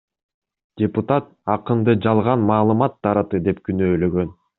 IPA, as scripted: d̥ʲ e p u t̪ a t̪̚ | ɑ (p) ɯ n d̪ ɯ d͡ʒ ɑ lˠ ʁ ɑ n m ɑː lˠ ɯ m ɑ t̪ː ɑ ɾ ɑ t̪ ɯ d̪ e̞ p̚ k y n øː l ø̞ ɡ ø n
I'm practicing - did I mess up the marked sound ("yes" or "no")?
yes